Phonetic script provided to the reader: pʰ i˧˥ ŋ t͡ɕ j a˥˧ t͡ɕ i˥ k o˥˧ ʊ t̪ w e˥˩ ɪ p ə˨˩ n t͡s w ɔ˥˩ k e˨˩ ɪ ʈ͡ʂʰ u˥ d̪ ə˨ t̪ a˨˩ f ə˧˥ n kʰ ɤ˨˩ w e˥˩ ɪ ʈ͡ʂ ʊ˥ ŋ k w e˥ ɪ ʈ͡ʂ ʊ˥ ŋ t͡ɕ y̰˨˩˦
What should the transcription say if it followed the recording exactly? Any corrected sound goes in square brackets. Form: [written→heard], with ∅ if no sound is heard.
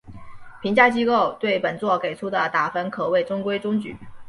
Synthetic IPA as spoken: pʰ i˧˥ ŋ t͡ɕ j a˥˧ t͡ɕ i˥ k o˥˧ ʊ t̪ w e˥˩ ɪ p ə˨˩ n t͡s w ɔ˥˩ k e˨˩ ɪ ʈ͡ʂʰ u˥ d̪ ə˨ t̪ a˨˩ f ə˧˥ n kʰ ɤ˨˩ w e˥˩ ɪ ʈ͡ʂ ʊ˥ ŋ k w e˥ ɪ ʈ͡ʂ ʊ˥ ŋ t͡ɕ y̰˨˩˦